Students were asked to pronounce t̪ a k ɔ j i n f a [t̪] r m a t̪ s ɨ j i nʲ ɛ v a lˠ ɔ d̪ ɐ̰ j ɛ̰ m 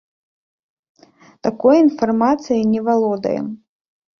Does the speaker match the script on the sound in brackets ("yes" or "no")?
no